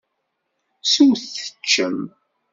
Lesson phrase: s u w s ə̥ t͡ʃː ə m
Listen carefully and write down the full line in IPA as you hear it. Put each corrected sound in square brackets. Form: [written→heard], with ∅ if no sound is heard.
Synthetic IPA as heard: s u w [s→θ] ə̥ t͡ʃː ə m